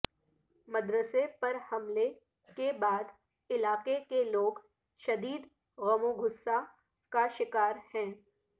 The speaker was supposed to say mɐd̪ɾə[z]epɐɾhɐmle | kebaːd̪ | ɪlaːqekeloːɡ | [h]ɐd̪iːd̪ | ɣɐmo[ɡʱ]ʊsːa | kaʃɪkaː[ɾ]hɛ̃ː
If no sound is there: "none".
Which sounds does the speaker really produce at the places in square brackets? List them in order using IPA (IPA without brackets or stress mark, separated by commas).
s, ʃ, ɡʱ, ɾ